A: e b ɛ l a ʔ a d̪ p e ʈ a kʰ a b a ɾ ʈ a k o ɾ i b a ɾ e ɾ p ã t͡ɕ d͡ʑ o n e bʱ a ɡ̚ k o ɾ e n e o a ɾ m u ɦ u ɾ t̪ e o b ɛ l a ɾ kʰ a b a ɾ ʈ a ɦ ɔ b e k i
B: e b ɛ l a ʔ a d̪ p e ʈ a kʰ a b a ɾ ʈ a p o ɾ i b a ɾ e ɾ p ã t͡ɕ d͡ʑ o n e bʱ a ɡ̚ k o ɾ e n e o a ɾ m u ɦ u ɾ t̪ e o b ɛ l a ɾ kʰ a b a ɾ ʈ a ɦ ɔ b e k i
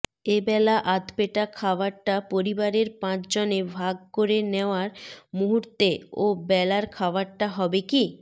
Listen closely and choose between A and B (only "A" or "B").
B